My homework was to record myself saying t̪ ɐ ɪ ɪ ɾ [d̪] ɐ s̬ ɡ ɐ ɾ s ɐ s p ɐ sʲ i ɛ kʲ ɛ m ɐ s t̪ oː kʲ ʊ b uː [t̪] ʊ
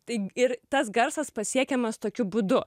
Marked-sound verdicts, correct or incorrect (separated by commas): incorrect, incorrect